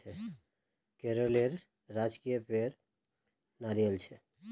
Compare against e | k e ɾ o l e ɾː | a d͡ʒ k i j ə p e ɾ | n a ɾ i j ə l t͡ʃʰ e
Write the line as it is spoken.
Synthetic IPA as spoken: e | k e ɾ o l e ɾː | a d͡ʒ k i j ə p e ɾ | n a ɾ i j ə l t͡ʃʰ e